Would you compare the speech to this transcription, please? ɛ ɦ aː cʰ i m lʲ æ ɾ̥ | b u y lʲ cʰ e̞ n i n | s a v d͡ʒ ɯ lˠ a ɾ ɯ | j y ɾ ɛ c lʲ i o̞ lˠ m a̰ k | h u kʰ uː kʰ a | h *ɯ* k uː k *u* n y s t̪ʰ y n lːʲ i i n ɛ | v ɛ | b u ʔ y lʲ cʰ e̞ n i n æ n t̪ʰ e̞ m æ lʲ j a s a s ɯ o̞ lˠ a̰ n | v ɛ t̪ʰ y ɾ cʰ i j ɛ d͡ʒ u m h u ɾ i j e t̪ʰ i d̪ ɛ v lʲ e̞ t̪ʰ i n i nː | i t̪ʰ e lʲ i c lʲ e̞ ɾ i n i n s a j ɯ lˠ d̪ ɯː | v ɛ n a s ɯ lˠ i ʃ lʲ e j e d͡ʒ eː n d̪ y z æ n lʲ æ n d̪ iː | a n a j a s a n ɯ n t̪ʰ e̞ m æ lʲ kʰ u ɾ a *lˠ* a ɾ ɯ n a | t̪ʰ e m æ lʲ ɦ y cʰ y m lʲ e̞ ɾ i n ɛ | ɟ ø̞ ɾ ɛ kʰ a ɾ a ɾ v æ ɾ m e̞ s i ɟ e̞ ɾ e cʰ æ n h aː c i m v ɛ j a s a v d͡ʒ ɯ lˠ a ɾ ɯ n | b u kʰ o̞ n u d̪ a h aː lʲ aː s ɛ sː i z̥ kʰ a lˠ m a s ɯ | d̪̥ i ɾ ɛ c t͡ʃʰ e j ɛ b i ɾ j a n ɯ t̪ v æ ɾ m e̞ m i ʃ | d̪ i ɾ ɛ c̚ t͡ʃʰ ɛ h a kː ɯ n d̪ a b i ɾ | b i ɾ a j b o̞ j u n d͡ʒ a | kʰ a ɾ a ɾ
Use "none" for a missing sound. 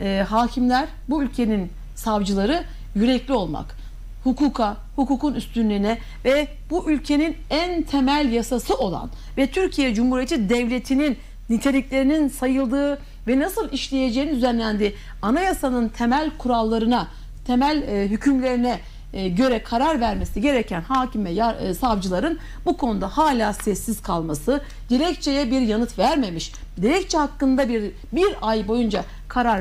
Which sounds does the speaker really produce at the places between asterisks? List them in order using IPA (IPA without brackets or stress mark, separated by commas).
u, u, lˠː